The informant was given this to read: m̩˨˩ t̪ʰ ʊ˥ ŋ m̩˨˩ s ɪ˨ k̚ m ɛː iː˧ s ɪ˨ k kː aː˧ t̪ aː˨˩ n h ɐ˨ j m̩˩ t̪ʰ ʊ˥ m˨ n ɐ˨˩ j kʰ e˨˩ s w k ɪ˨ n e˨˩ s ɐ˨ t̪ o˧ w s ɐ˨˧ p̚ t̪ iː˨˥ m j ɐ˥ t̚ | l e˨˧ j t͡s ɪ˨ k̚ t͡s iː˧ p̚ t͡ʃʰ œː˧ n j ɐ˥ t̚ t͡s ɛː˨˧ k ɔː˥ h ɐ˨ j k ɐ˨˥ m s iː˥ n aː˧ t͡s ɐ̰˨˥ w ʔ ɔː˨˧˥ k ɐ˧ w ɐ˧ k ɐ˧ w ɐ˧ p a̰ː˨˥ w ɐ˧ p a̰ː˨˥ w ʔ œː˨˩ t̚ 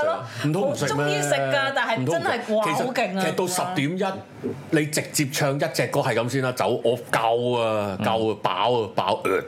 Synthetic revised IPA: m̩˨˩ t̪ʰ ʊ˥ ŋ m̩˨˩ s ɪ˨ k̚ m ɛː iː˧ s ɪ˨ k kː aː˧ t̪ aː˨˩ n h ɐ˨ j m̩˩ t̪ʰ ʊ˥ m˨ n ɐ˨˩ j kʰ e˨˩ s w k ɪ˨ ŋ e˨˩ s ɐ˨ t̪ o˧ w s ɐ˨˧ p̚ t̪ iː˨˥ m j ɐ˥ t̚ | l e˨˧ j t͡s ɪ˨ k̚ t͡s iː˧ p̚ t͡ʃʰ œː˧ ŋ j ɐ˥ t̚ t͡s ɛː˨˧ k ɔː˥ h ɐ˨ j k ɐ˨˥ m s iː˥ n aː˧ t͡s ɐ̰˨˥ w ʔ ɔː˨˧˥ k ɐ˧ w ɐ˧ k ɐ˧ w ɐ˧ p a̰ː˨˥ w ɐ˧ p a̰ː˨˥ w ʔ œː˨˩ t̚